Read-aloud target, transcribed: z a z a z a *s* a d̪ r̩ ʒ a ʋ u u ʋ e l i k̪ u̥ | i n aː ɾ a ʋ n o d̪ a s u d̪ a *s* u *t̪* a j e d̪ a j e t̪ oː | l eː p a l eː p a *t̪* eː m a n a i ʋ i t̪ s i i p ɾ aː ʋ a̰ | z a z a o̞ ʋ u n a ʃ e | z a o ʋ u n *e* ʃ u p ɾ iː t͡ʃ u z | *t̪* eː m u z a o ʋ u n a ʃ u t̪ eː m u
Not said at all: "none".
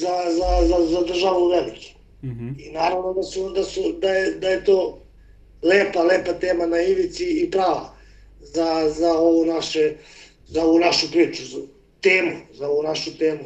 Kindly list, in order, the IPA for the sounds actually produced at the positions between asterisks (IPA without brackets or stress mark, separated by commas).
z, s, d̪, t̪, a, t̪